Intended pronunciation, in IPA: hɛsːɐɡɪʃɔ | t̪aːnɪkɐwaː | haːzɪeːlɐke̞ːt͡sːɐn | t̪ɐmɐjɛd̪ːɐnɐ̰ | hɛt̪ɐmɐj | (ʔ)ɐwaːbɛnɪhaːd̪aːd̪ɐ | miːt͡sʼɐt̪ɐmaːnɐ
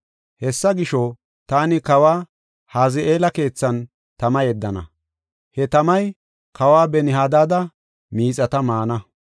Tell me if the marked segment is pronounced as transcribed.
no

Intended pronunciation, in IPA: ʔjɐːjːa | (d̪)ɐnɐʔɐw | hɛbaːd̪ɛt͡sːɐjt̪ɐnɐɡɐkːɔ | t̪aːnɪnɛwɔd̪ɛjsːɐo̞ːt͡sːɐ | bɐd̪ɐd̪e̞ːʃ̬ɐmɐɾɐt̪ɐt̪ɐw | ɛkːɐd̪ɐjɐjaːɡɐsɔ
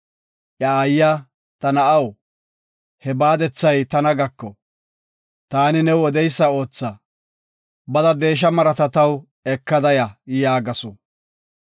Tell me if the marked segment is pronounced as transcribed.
no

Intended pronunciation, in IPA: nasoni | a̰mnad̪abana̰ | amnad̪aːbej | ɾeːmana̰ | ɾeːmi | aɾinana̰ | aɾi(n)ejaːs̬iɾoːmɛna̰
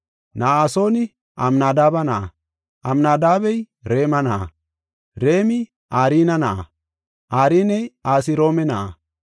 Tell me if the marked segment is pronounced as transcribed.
yes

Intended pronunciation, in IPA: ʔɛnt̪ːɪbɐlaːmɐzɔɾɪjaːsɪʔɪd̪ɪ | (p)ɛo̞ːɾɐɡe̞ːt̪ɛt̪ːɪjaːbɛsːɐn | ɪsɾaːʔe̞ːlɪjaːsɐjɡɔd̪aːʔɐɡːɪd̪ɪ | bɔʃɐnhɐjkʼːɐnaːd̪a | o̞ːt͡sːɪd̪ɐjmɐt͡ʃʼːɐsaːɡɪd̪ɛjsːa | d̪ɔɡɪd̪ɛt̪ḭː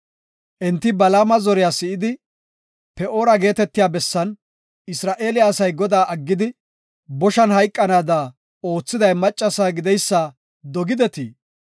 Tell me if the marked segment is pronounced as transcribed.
yes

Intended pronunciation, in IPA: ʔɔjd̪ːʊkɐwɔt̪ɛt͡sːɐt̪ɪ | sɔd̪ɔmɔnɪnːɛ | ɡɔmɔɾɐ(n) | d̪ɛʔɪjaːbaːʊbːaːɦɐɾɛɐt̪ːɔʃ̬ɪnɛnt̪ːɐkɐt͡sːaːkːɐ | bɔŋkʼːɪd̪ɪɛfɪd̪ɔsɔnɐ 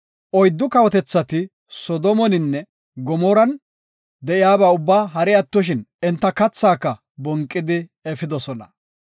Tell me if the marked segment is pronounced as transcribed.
yes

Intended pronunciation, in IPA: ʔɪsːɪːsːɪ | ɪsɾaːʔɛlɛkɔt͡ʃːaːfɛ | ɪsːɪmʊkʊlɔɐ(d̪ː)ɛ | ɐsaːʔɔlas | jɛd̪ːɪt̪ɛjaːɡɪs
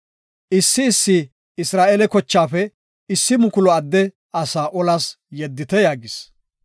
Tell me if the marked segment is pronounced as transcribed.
yes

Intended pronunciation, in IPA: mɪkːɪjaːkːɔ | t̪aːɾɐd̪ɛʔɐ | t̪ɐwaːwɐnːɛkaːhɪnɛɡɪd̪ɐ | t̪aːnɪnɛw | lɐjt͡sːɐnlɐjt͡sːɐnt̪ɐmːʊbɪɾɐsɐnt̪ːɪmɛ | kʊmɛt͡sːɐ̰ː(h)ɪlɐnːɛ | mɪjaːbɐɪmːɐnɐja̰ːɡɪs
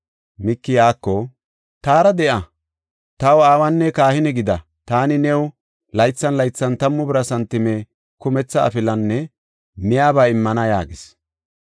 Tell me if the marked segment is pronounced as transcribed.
no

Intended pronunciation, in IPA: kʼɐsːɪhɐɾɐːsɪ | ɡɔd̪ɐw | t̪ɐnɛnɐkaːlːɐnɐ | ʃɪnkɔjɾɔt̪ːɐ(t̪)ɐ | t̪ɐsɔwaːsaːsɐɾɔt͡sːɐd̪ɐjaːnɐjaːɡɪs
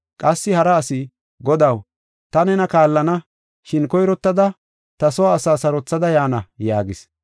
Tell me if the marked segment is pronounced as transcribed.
no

